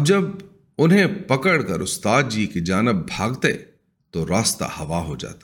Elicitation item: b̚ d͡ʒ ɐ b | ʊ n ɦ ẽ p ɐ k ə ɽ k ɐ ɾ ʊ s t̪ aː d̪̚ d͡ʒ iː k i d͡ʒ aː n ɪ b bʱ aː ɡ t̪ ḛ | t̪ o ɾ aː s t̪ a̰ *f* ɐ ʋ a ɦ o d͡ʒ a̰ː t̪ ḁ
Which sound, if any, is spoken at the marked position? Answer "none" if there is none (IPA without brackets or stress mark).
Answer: h